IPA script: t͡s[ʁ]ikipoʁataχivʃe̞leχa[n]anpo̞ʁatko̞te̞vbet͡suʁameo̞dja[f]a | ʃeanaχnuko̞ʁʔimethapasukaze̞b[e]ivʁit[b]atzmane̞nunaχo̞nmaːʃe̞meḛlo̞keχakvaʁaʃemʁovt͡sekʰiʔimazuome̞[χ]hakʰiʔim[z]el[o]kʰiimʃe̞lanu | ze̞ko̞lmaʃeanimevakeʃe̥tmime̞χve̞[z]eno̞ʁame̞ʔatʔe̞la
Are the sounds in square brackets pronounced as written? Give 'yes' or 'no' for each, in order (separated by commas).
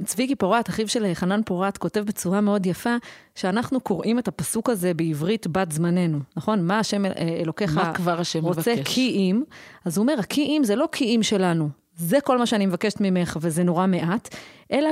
no, yes, yes, yes, yes, no, yes, yes, yes